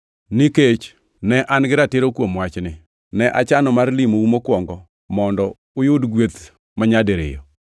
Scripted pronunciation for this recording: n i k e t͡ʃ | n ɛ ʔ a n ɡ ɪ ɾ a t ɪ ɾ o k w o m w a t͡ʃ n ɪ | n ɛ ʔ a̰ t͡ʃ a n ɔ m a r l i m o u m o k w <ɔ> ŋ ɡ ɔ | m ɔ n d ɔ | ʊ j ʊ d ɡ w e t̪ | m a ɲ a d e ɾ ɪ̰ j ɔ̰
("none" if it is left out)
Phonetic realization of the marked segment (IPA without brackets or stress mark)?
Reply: ɔ